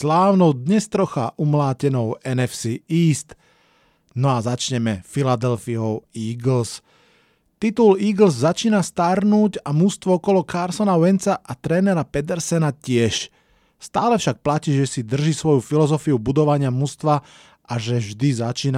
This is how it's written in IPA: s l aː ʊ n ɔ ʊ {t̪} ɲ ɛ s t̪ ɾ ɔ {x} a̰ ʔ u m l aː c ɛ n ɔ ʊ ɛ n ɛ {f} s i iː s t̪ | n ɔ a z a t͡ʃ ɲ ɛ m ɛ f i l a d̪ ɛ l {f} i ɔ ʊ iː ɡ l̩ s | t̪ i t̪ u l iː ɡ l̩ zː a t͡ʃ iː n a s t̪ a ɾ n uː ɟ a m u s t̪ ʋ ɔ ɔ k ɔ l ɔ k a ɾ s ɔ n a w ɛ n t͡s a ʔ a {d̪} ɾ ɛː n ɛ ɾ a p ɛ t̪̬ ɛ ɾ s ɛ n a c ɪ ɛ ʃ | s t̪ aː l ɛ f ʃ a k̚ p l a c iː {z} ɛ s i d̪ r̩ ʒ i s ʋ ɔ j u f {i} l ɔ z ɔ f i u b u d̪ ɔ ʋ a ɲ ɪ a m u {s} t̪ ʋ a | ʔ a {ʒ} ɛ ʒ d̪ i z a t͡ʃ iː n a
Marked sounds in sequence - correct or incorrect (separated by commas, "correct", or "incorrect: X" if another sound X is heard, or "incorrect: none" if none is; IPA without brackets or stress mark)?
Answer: incorrect: d̪, correct, correct, correct, incorrect: t̪, incorrect: ʒ, correct, correct, correct